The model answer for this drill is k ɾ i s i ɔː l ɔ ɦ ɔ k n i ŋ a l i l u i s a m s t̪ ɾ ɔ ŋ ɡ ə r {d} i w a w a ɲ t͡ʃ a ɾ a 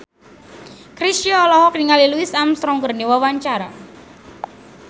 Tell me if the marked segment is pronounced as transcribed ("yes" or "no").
no